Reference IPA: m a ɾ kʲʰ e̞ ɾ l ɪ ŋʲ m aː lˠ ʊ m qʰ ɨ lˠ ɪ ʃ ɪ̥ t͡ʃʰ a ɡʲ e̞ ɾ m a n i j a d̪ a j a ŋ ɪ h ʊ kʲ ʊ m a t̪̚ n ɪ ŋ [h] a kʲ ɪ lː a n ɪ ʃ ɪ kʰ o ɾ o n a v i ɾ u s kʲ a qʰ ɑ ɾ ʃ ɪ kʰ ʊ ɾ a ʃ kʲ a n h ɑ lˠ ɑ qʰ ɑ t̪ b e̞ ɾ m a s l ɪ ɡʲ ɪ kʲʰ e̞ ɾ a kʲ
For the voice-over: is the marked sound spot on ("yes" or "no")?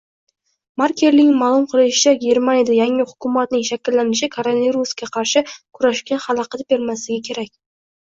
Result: no